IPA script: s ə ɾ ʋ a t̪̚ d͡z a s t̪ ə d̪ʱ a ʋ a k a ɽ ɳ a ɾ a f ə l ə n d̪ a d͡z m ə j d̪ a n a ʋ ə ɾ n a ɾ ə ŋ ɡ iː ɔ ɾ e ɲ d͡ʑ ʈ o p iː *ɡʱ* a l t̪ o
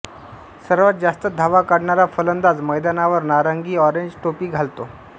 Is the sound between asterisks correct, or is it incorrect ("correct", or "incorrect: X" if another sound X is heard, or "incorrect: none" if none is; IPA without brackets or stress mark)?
correct